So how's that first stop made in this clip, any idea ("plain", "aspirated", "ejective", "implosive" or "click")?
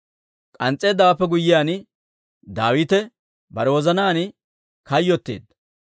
ejective